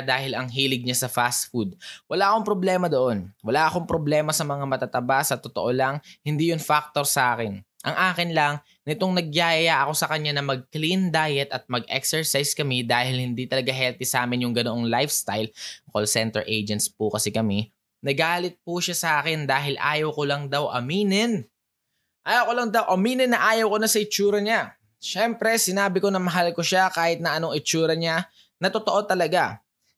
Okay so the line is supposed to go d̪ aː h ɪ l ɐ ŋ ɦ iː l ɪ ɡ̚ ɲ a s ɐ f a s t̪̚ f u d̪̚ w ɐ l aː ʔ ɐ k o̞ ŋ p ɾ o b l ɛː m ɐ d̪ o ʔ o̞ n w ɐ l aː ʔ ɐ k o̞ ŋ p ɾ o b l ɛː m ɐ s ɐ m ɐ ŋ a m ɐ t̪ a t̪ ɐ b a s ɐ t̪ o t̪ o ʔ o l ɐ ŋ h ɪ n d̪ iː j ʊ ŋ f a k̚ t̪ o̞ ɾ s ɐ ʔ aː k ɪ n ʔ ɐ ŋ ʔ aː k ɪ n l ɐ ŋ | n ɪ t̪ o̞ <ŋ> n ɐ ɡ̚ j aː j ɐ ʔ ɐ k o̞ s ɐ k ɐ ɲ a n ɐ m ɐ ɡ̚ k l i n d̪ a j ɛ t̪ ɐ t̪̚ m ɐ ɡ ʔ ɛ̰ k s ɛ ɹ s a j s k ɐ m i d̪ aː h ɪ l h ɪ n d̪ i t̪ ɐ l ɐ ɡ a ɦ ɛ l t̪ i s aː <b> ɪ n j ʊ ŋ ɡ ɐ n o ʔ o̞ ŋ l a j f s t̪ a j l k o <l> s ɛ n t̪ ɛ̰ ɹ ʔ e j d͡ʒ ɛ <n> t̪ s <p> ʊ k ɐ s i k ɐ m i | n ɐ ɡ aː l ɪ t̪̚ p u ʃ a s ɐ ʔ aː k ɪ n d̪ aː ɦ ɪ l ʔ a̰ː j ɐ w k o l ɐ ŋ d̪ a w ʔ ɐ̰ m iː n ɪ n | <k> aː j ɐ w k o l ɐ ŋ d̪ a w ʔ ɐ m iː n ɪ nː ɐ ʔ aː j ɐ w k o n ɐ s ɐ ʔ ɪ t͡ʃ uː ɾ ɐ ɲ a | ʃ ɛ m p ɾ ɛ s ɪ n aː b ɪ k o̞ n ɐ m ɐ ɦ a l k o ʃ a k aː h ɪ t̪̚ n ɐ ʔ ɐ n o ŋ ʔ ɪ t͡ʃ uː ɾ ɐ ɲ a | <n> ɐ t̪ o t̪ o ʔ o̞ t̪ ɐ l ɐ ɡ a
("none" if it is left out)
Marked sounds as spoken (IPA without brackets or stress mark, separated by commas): ŋ, m, l, n, p, ʔ, n